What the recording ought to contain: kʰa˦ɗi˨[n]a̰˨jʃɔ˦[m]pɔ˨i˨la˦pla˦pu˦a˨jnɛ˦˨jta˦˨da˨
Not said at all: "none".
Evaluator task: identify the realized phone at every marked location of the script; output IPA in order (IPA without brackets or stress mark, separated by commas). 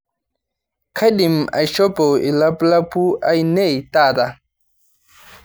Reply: m, none